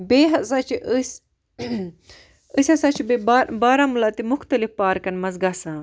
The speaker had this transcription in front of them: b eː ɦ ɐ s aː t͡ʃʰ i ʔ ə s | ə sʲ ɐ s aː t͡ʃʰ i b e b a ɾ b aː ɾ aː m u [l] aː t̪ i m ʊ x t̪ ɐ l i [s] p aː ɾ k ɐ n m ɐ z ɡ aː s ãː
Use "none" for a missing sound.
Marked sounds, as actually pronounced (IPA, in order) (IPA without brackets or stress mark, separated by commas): l, f